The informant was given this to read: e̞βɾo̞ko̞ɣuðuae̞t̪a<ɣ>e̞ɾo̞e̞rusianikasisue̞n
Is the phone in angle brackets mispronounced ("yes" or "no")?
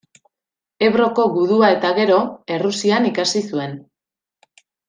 no